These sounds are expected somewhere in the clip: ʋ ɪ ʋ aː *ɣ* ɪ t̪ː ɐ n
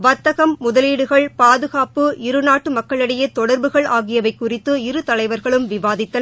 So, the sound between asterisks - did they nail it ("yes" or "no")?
no